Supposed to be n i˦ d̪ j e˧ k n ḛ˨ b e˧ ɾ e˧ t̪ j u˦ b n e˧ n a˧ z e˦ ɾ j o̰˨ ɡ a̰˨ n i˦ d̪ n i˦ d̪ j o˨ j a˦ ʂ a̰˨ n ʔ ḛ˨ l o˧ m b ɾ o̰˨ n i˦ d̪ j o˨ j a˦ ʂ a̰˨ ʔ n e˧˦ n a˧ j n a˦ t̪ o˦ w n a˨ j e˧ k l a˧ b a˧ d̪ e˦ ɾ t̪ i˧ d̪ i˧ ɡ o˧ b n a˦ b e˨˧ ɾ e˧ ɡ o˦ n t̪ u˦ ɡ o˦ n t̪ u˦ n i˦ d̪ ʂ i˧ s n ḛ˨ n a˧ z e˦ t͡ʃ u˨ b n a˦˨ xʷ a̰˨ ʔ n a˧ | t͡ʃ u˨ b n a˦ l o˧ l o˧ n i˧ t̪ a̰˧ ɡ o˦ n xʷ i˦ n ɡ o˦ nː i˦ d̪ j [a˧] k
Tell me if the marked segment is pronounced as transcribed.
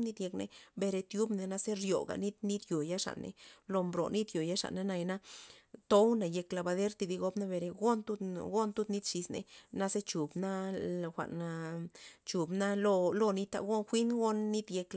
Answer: no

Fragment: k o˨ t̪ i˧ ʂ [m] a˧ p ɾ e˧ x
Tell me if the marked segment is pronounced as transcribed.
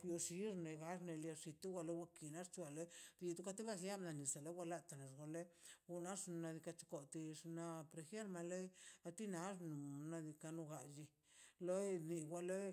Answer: no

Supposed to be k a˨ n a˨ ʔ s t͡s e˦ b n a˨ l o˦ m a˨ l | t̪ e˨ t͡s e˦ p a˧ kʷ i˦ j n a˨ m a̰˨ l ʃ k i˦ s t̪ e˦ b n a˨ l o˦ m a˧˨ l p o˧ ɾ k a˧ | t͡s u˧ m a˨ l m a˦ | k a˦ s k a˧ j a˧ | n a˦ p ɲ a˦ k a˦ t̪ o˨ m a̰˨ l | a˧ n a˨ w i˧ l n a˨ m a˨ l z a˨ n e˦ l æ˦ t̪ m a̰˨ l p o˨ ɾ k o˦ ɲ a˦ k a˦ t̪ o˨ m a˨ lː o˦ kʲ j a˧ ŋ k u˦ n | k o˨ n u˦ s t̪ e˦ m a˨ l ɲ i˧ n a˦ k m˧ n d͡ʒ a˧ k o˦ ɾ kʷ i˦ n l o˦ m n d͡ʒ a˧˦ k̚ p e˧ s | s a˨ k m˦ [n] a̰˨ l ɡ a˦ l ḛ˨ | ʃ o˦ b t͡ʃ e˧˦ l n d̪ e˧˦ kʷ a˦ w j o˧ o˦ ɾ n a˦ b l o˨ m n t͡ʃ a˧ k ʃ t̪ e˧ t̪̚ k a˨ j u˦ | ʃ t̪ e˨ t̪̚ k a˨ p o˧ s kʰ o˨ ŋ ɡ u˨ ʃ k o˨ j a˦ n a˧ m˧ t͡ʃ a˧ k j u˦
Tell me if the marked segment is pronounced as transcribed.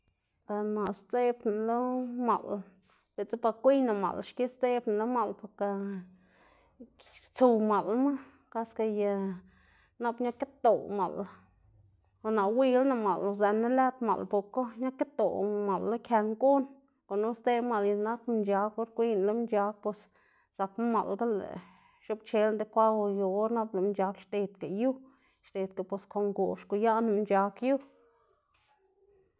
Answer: no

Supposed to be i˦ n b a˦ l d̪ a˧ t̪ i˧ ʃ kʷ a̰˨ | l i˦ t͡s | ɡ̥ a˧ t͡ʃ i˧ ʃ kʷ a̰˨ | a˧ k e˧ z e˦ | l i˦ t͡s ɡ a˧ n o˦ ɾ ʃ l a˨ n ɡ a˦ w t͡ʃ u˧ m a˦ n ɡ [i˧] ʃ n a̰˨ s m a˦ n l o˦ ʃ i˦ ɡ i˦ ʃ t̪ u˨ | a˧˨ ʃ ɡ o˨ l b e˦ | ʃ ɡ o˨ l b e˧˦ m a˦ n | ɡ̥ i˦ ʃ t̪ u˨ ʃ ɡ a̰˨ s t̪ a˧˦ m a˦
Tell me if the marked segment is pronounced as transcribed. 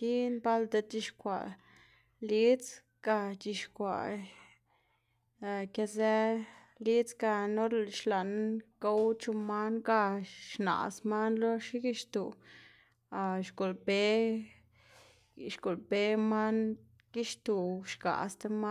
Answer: no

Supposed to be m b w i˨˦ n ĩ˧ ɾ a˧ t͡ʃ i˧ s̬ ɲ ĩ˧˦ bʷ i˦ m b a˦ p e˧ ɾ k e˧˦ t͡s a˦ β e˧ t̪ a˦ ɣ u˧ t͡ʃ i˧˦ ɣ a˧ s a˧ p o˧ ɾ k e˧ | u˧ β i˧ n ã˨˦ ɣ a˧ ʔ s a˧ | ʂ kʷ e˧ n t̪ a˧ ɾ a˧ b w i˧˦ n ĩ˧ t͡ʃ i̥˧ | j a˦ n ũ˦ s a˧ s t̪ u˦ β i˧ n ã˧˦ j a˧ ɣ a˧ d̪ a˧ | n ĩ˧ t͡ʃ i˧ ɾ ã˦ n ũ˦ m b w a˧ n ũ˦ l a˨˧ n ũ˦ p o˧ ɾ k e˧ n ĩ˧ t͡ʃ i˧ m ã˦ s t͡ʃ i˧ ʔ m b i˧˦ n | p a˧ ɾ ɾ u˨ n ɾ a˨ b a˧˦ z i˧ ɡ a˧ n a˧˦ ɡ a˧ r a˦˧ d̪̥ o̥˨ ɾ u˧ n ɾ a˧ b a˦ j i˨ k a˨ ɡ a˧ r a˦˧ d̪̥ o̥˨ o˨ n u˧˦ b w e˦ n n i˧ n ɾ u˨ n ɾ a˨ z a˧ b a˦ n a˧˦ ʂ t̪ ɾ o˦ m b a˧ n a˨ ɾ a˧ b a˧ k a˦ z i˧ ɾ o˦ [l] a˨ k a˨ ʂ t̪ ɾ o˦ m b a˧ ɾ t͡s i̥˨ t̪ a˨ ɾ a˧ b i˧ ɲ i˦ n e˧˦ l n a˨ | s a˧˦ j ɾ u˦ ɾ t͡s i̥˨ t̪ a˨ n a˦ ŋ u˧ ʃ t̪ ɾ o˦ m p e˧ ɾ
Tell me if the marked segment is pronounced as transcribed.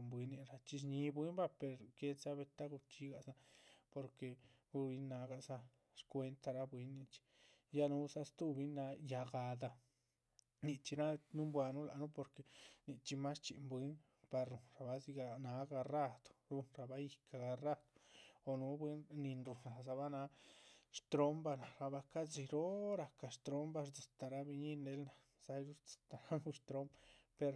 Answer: no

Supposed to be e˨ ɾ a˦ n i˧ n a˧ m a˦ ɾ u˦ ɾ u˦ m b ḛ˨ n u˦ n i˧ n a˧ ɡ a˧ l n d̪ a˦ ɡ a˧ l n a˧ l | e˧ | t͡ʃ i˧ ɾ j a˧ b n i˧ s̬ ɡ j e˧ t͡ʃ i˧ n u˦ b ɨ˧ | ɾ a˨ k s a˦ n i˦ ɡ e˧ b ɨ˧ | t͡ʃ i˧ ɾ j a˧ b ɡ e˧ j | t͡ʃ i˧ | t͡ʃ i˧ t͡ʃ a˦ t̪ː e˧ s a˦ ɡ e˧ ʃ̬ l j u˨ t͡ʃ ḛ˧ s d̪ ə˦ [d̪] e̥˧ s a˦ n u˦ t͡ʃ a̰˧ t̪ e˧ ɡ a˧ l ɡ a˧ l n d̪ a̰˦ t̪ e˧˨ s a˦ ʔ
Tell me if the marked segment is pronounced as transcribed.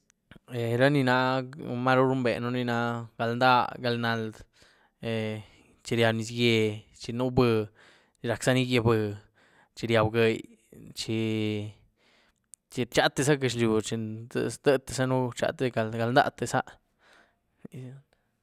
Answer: no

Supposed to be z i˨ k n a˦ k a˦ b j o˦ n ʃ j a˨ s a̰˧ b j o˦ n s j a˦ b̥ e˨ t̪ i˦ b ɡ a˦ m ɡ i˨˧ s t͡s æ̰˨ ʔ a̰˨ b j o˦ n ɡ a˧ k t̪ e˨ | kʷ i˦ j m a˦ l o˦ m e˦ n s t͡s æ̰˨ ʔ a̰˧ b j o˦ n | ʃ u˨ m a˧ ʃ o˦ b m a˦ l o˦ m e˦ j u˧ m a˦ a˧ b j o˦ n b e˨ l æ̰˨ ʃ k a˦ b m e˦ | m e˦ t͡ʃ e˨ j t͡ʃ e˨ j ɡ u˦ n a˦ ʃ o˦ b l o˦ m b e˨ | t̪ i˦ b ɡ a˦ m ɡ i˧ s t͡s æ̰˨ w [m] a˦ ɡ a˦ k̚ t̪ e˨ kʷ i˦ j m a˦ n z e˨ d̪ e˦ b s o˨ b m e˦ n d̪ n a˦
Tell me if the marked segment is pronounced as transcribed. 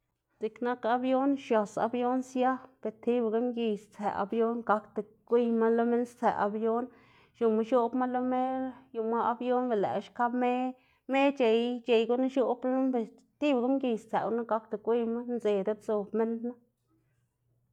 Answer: no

